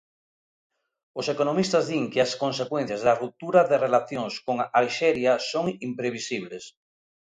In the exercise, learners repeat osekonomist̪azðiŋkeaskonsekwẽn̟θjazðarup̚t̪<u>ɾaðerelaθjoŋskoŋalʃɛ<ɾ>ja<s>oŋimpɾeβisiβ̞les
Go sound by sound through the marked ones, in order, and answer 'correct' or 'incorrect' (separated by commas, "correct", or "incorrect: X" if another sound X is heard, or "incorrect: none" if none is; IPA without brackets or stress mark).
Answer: correct, correct, correct